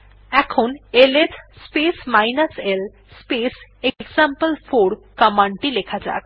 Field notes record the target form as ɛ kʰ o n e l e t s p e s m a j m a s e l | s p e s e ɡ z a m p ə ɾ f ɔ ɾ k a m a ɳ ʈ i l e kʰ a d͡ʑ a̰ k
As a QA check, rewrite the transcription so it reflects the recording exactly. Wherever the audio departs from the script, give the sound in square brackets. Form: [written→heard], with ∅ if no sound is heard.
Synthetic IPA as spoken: ɛ kʰ o n e l e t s p e s m a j [m→n] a s e l | s p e s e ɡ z a m p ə [ɾ→l] f [ɔ→o] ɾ k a m a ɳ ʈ i l e kʰ a d͡ʑ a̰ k